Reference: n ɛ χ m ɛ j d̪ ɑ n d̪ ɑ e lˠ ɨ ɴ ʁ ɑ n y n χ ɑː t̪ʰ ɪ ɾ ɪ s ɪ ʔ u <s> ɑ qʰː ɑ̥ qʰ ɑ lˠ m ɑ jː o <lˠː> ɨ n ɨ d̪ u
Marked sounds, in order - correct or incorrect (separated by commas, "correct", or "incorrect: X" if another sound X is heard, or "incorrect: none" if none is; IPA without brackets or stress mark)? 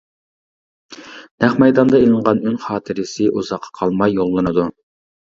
incorrect: z, correct